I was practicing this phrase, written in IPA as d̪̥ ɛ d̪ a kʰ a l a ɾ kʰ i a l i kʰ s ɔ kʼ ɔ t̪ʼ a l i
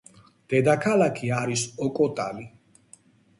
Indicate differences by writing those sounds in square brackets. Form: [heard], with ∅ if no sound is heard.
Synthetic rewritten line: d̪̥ ɛ d̪ a kʰ a l a [∅] kʰ i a [ɾ] i [∅] s ɔ kʼ ɔ t̪ʼ a l i